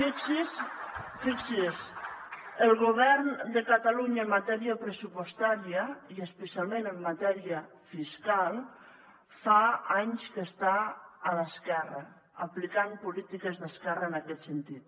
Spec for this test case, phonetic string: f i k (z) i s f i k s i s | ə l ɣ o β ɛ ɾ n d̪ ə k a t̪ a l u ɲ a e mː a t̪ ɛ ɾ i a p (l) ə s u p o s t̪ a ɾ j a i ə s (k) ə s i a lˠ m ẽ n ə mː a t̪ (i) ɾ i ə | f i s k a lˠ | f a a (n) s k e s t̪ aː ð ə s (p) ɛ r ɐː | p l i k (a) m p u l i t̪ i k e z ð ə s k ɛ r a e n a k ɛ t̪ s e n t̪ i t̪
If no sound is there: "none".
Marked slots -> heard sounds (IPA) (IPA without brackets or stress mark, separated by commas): s, ɾ, p, ɛ, ɲ, k, a